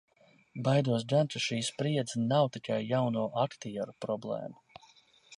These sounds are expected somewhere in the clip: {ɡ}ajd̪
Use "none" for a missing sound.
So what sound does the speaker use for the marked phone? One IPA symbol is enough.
b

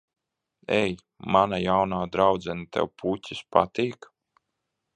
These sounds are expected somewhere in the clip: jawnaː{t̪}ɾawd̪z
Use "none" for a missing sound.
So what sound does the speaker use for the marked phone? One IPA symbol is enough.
d̪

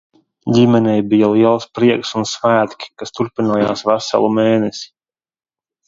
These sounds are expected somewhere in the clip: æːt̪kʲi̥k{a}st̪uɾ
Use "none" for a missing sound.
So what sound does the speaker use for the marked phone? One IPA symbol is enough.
a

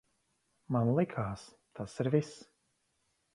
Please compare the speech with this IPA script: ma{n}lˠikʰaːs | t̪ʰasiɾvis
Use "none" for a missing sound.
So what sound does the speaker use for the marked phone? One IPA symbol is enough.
n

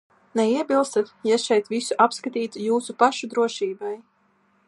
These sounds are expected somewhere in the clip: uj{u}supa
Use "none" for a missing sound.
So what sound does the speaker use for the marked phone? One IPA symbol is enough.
uː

